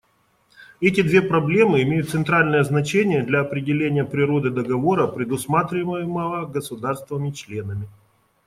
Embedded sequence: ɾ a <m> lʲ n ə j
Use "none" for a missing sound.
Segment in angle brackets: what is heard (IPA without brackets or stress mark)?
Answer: none